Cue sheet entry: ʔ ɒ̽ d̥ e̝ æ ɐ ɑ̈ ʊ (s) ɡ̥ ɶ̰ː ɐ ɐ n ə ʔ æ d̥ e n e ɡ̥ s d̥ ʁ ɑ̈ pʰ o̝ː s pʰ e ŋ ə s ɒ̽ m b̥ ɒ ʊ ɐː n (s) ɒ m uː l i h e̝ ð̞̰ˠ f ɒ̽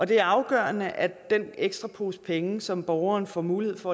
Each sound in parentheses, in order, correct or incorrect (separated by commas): incorrect, incorrect